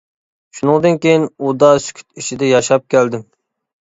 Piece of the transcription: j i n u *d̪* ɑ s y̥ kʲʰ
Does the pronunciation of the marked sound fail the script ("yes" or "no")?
no